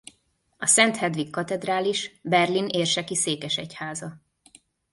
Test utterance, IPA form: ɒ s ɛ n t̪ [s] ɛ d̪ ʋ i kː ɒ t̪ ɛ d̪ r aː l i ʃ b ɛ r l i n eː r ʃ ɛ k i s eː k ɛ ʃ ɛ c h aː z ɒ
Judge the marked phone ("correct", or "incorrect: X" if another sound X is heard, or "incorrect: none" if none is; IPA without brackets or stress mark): incorrect: h